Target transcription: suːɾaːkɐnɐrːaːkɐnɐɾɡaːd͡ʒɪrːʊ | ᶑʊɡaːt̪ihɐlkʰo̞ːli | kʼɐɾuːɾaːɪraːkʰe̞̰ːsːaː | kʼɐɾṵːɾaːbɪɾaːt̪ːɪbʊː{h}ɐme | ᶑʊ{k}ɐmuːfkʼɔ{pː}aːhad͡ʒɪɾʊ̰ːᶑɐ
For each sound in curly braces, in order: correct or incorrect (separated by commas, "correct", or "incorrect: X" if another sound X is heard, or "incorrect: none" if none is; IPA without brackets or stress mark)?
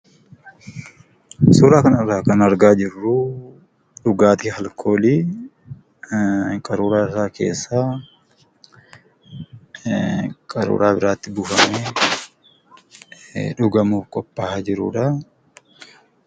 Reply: incorrect: f, incorrect: ɡ, correct